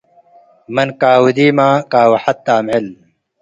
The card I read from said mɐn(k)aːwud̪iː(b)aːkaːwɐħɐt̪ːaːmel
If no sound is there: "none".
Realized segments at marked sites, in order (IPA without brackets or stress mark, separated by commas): k, m